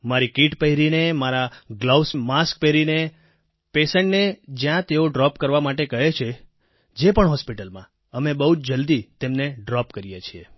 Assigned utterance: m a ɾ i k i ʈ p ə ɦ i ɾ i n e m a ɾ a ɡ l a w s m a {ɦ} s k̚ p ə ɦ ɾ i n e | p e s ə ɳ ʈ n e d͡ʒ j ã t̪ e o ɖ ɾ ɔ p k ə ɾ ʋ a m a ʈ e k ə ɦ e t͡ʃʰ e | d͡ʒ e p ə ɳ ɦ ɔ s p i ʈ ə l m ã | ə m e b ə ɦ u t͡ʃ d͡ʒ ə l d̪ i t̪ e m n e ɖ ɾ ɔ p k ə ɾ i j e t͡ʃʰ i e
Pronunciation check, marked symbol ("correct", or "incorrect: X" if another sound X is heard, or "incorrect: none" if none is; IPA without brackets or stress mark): incorrect: none